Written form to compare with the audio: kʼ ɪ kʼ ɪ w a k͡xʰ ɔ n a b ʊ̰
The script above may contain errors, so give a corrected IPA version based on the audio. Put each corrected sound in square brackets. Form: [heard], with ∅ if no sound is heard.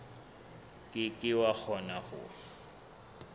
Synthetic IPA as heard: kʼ ɪ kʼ ɪ w a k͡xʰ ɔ n a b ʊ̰